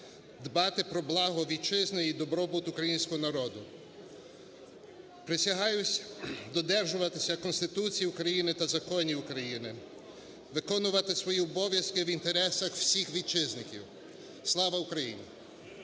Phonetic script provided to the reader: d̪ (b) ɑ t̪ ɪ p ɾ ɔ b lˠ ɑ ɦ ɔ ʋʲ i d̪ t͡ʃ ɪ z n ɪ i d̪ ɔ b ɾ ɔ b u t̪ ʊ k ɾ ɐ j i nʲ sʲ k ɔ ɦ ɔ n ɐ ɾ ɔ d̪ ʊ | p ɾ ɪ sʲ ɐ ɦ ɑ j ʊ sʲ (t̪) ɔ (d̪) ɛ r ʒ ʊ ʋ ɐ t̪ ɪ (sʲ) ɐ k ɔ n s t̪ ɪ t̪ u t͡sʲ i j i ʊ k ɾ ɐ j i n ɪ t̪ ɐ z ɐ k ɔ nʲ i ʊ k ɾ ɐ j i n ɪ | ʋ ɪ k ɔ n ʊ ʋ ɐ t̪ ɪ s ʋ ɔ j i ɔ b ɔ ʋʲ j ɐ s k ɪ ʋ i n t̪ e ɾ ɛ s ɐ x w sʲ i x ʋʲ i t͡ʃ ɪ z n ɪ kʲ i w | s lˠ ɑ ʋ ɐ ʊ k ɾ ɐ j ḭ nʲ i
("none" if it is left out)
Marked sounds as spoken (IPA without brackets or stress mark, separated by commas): b, d̪, d̪, sʲ